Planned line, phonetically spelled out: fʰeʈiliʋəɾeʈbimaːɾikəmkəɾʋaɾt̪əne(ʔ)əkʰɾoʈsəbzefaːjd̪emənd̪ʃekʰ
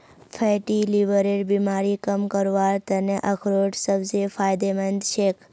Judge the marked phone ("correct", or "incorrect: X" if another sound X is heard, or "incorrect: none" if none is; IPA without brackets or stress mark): correct